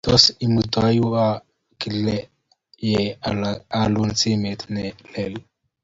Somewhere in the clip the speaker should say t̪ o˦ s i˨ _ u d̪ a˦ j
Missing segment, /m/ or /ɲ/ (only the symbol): m